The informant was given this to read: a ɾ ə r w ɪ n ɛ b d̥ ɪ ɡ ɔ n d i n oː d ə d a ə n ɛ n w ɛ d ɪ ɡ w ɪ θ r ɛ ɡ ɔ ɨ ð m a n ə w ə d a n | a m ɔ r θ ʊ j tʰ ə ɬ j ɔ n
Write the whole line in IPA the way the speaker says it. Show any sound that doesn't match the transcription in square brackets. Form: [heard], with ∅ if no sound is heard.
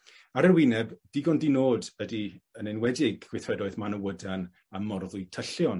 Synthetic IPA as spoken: a ɾ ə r w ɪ n ɛ b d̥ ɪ ɡ ɔ n d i n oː d ə d [i] ə n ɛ n w ɛ d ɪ ɡ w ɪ θ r ɛ [d] ɔ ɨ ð m a n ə w ə d a n | a m ɔ r [ð] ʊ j tʰ ə ɬ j ɔ n